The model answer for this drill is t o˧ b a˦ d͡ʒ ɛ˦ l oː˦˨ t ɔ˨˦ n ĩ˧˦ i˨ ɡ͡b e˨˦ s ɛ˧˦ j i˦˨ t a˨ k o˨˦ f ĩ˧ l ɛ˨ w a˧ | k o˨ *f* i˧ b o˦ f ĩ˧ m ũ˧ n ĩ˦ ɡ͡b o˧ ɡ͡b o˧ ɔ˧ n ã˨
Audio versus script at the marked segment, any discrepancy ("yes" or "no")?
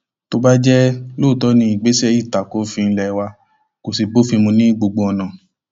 yes